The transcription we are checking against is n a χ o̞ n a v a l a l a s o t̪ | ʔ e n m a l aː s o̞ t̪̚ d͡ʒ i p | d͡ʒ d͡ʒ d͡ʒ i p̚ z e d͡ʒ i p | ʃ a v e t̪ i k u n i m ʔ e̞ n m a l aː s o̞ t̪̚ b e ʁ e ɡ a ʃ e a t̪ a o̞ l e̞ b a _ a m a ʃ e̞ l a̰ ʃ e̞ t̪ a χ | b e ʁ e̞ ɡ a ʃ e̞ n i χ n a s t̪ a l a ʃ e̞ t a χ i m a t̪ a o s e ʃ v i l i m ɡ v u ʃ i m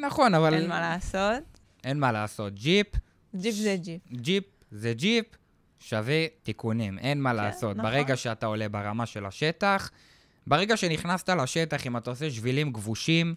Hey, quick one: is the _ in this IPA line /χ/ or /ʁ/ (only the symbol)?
ʁ